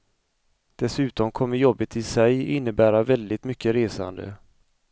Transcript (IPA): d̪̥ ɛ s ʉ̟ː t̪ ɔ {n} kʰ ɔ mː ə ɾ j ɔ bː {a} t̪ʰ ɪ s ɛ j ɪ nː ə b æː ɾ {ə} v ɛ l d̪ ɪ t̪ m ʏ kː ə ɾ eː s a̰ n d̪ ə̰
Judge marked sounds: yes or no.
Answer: no, no, no

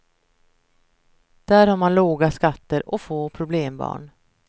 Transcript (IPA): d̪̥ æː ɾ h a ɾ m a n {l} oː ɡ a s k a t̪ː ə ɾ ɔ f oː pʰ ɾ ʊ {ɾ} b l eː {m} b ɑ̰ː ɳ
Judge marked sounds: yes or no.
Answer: yes, no, yes

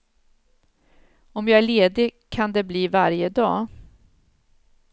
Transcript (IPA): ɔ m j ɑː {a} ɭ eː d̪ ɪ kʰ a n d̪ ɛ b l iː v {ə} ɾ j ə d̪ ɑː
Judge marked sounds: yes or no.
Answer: no, no

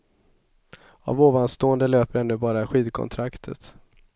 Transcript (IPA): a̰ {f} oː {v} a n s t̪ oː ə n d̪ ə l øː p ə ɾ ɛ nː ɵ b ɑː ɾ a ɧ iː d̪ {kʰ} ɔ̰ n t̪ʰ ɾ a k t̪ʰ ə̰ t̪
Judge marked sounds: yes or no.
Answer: no, yes, yes

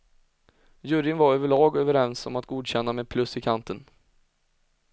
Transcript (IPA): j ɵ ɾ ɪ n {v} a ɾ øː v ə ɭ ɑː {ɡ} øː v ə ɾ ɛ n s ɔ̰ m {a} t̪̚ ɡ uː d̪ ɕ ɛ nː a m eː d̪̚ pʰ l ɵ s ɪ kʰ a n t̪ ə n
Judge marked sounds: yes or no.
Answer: yes, yes, yes

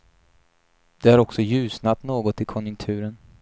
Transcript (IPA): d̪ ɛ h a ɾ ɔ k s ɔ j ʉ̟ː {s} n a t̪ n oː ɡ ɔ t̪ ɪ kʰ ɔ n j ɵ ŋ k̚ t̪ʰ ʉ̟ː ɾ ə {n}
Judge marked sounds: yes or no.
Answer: yes, yes

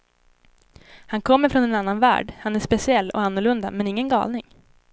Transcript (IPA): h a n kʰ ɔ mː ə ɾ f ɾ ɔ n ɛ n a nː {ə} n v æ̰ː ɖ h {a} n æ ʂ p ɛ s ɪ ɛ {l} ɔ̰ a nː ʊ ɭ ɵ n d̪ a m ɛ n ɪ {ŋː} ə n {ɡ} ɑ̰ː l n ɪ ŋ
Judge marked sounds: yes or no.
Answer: no, yes, no, yes, yes

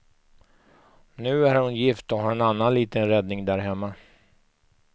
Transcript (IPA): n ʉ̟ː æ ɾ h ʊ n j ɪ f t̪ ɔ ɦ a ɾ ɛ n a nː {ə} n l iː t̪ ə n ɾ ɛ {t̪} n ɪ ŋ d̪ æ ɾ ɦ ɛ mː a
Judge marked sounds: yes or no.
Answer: no, no

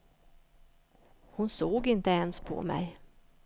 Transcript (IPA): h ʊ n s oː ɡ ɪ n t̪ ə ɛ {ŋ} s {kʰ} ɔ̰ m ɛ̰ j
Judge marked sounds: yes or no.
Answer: no, no

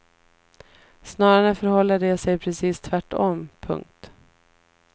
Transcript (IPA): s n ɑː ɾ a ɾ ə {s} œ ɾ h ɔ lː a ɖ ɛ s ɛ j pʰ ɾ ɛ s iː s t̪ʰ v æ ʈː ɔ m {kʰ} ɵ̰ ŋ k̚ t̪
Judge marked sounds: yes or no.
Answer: no, no

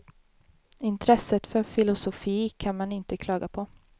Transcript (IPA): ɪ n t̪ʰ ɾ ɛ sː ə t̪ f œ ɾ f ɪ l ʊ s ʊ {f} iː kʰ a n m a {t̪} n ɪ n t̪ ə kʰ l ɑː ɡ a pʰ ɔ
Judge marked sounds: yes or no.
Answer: yes, no

